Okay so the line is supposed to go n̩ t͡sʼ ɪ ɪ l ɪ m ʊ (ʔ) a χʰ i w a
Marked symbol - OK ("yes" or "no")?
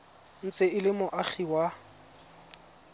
yes